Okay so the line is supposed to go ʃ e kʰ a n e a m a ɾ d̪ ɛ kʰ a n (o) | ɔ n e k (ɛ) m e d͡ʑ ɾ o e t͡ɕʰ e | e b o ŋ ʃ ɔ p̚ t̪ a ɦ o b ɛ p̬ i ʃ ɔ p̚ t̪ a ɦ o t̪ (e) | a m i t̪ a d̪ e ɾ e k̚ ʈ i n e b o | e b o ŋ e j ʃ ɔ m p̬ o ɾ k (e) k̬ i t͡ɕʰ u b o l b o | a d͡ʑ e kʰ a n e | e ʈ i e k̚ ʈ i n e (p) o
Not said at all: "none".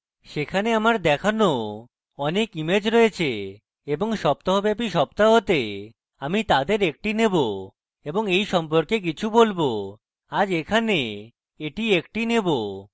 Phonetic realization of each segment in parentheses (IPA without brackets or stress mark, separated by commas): o, i, e, e, b